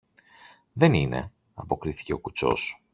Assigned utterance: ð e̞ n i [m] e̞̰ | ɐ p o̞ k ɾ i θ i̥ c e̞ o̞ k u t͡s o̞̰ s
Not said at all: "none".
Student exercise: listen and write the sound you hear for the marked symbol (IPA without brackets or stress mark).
n